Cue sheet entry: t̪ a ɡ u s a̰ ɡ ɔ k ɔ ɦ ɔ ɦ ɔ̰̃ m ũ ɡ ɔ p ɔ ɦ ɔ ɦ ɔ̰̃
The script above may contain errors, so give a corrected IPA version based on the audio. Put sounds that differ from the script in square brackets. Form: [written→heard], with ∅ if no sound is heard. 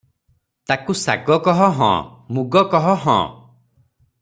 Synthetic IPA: t̪ a [ɡ→k] u s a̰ ɡ ɔ k ɔ ɦ ɔ ɦ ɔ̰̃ m [ũ→u] ɡ ɔ [p→k] ɔ ɦ ɔ ɦ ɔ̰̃